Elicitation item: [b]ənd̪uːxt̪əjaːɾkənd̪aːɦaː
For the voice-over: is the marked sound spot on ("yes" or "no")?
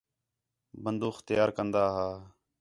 yes